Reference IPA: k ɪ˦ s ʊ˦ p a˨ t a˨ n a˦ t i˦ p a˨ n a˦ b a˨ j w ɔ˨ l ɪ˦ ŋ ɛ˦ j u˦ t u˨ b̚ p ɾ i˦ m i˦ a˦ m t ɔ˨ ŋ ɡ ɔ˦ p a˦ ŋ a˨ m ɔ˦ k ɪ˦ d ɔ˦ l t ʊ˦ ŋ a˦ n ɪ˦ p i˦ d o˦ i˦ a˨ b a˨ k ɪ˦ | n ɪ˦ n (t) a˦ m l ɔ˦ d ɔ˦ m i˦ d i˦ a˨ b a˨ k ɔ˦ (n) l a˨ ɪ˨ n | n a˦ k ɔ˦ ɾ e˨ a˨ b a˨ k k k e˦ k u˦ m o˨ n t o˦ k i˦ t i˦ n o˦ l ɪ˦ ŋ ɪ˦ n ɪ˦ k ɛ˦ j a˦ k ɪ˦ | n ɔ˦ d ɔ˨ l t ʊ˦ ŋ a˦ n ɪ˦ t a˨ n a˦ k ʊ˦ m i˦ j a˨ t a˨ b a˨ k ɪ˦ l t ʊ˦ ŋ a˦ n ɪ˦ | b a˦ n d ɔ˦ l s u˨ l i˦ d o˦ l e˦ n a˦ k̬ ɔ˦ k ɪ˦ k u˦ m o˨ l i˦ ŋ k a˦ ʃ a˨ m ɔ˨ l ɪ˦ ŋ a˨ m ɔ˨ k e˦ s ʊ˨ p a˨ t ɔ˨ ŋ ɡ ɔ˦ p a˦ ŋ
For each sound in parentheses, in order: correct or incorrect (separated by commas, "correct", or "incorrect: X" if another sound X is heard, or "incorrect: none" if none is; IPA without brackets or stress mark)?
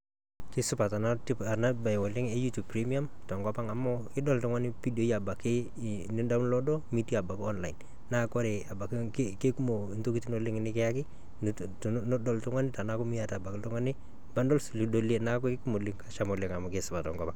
incorrect: d, correct